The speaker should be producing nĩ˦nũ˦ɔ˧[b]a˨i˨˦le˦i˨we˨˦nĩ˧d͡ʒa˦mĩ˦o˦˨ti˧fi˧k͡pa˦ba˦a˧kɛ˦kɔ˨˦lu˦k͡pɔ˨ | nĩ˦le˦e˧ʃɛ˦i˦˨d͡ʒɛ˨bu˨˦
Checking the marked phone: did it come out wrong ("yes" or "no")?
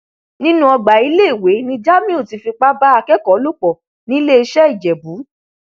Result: yes